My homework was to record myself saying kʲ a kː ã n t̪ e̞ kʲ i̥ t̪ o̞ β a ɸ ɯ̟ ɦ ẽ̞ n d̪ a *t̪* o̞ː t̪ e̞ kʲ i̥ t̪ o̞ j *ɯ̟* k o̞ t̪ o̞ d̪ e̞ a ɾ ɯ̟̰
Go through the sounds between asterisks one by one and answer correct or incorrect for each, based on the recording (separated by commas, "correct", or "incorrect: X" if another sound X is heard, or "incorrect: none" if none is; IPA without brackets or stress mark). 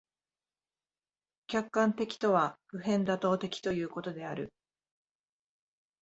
correct, incorrect: ɯ̟ː